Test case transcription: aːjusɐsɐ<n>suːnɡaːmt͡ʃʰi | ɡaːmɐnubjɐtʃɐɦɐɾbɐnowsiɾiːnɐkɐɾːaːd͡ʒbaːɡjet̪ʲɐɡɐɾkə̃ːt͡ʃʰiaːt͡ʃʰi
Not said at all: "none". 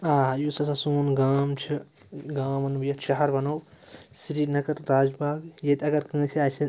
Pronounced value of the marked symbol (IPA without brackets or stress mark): none